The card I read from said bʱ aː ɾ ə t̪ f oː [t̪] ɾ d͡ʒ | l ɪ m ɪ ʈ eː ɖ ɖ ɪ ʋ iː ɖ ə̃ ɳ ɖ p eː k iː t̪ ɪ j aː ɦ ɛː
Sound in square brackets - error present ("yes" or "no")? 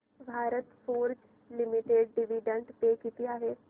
yes